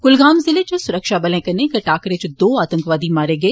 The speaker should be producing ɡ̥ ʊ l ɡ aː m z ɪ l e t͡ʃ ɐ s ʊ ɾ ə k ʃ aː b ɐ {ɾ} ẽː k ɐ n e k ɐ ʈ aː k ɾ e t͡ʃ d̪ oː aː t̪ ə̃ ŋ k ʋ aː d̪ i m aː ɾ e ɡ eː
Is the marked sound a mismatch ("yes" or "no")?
yes